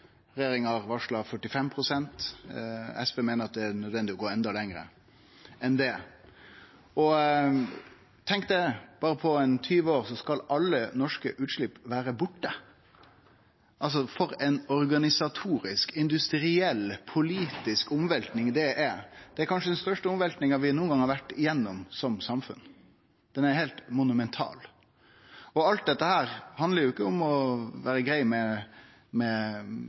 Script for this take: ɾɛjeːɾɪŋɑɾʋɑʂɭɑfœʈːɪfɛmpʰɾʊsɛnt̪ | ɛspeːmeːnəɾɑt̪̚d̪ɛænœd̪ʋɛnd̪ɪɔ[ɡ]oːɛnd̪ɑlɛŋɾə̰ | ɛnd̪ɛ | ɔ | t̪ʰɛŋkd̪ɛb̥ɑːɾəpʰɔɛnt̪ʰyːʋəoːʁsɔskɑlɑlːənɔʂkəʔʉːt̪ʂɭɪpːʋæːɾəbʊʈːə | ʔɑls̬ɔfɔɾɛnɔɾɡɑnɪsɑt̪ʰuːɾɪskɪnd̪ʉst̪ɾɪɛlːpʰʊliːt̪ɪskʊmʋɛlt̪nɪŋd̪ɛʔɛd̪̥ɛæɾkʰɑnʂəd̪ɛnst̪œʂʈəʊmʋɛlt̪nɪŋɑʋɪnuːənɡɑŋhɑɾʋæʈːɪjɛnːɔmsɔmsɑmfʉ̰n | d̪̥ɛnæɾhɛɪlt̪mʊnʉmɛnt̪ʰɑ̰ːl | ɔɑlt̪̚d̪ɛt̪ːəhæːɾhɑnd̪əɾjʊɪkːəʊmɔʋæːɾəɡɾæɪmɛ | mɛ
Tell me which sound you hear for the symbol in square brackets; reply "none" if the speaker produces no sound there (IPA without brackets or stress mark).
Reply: ɡ